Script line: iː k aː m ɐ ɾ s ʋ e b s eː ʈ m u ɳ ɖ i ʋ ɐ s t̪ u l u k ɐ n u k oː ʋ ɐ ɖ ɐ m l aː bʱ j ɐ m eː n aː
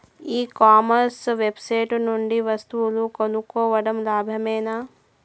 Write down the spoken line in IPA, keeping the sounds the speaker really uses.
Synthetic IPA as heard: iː k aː m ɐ ɾ s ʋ e b s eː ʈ n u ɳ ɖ i ʋ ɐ s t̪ u l u k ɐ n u k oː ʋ ɐ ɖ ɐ m l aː bʱ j ɐ m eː n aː